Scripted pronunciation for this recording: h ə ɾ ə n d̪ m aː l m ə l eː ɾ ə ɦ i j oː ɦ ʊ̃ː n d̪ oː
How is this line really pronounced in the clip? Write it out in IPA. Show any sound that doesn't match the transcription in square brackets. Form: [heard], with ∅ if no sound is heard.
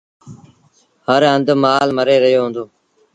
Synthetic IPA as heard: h ə ɾ ə n d̪ m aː l m ə [ɾ] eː ɾ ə ɦ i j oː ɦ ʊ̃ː n d̪ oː